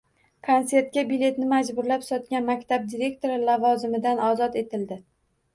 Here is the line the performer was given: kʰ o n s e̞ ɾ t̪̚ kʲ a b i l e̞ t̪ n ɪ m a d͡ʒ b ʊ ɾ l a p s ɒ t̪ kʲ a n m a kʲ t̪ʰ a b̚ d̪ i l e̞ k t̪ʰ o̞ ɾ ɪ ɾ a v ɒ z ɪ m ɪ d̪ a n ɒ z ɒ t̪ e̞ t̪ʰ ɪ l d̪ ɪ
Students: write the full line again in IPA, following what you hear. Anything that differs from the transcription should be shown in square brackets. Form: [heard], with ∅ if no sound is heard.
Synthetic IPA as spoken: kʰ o n s e̞ ɾ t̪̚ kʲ a b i l e̞ t̪ n ɪ m a d͡ʒ b ʊ ɾ l a p s ɒ t̪ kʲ a n m a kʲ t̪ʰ a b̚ d̪ i [ɾ] e̞ k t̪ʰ o̞ ɾ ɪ [l] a v ɒ z ɪ m ɪ d̪ a n ɒ z ɒ t̪ e̞ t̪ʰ ɪ l d̪ ɪ